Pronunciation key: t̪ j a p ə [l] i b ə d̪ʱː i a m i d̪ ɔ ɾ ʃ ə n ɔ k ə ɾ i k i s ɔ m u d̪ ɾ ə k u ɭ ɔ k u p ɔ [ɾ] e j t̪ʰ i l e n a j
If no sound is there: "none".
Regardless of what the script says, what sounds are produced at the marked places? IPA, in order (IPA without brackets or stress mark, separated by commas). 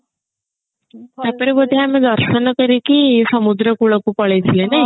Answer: ɾ, ɭ